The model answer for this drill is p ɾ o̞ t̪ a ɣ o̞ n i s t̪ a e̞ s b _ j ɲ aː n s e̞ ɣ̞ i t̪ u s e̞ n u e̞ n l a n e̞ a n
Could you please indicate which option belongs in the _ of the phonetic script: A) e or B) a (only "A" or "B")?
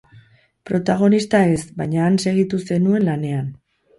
B